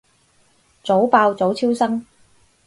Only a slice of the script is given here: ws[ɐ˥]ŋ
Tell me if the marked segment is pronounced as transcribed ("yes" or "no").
yes